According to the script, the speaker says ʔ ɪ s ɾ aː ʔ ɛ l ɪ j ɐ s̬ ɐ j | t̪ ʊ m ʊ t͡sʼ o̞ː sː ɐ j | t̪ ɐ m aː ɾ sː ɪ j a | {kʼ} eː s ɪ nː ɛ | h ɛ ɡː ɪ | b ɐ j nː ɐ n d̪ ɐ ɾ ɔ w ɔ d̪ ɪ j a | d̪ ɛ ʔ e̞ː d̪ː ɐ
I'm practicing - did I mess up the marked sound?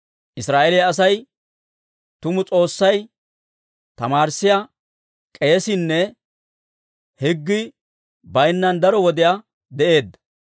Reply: no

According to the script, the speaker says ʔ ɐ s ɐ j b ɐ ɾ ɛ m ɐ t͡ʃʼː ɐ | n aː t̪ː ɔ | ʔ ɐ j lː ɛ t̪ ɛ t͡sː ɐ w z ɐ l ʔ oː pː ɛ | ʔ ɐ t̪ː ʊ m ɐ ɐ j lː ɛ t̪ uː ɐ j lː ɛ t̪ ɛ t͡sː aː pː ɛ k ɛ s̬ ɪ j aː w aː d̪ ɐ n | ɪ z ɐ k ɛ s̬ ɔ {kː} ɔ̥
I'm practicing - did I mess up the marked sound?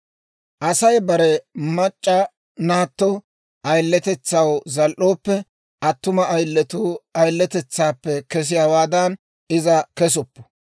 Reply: yes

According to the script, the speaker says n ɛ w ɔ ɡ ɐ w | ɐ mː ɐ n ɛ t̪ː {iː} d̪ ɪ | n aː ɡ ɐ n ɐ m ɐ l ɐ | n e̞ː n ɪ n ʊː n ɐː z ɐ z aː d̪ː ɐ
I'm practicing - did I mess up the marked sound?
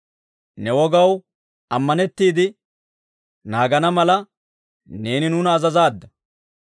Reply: no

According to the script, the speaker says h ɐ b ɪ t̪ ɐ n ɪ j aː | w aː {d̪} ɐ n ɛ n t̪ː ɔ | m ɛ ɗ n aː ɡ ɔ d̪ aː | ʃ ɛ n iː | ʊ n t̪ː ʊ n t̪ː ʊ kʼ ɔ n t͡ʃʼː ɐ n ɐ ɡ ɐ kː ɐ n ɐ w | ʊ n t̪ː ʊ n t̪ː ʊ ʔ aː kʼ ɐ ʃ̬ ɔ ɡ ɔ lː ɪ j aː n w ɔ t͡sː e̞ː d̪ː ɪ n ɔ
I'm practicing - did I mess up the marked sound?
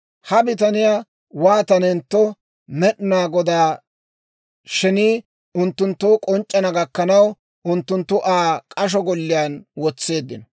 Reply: yes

